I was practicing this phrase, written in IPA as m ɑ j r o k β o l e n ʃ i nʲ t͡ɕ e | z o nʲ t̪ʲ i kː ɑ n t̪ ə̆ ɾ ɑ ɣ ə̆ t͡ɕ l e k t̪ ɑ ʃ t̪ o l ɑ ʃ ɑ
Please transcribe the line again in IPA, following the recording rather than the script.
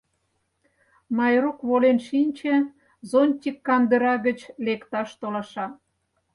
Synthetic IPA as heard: m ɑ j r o k β o l e n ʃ i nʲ t͡ɕ e | z o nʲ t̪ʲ i kː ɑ n d̪ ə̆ ɾ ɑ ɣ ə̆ t͡ɕ l e k t̪ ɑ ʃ t̪ o l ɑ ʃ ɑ